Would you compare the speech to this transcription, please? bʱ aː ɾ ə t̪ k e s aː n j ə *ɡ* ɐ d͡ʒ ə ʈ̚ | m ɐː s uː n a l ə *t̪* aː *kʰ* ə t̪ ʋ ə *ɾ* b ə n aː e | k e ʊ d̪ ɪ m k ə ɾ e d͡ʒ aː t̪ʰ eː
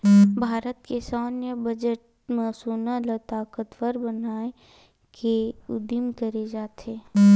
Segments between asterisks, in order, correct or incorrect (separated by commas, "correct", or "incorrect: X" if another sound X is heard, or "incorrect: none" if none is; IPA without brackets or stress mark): incorrect: b, correct, incorrect: k, correct